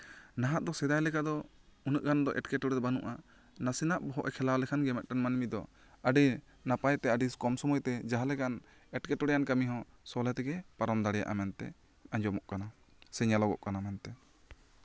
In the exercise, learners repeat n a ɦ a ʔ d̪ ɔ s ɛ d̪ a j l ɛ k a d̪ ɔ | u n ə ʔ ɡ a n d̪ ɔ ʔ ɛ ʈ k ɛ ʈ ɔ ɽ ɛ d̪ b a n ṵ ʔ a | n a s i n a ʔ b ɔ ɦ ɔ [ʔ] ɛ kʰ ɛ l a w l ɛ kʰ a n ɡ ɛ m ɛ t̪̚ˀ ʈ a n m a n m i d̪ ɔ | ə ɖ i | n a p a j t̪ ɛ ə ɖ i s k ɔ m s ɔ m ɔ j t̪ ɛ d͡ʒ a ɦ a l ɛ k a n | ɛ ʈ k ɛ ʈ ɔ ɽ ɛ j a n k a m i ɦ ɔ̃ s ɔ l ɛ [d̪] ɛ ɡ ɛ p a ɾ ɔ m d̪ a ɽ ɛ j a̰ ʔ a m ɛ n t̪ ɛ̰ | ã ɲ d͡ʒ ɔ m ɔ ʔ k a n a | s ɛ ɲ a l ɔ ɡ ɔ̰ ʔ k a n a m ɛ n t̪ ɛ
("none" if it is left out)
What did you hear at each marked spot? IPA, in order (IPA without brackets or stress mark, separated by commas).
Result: ʔ, t̪